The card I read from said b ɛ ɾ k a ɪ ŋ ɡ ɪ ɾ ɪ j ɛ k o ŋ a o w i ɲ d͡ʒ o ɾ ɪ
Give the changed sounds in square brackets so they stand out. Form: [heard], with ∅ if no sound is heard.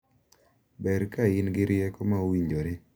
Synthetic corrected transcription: b ɛ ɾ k a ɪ [n] ɡ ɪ ɾ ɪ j ɛ k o [m] a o w i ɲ d͡ʒ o ɾ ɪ